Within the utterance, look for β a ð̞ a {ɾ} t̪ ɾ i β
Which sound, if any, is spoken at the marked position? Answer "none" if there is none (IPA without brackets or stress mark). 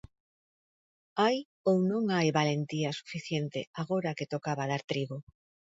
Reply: ɾ